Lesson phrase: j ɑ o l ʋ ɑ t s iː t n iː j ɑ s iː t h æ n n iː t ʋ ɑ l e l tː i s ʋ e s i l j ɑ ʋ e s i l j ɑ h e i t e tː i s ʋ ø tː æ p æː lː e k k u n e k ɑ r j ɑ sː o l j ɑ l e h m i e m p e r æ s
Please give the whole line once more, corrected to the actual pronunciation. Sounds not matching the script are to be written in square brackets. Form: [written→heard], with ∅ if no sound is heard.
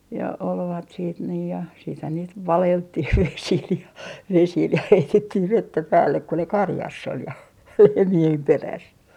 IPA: j ɑ o l ʋ ɑ t s iː t n iː j ɑ s iː t h æ n n iː t ʋ ɑ l e l tː i [s→h] ʋ e s i l j ɑ ʋ e s i l j ɑ h e i t e tː i [s→h] ʋ [ø→e] tː æ p æː lː e k k u n e k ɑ r j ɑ sː o l j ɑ l e h m i e m p e r æ s